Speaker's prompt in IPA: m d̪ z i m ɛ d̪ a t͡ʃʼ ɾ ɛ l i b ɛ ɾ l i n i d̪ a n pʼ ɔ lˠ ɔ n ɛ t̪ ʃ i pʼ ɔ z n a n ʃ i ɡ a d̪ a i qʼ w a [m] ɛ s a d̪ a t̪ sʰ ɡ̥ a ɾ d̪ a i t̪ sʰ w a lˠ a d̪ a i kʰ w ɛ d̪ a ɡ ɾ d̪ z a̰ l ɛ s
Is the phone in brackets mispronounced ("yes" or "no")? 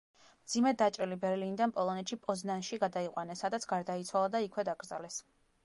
yes